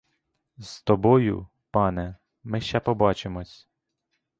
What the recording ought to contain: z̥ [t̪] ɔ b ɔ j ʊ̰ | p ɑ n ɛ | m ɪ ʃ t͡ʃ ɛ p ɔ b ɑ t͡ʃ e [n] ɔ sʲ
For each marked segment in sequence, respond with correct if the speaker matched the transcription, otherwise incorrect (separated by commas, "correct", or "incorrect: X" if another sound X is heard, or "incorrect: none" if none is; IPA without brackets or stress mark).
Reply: correct, incorrect: m